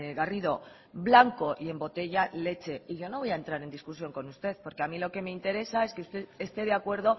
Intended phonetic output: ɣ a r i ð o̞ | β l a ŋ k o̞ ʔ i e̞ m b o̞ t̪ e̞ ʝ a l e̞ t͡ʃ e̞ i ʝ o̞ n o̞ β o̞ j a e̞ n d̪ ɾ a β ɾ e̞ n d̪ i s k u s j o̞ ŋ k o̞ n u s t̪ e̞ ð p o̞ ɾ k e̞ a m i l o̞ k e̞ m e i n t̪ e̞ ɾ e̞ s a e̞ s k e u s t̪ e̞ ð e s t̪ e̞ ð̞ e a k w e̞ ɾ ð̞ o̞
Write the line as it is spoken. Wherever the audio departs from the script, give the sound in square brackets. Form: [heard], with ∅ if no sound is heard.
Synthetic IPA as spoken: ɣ a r i ð o̞ | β l a ŋ k o̞ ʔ i e̞ m b o̞ t̪ e̞ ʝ a l e̞ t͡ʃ e̞ i ʝ o̞ n o̞ β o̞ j a e̞ n [t̪] ɾ a [∅] ɾ e̞ n d̪ i s k u s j o̞ ŋ k o̞ n u s t̪ e̞ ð p o̞ ɾ k e̞ a m i l o̞ k e̞ m e i n t̪ e̞ ɾ e̞ s a e̞ s k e u s t̪ e̞ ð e s t̪ e̞ ð̞ e a k w e̞ ɾ ð̞ o̞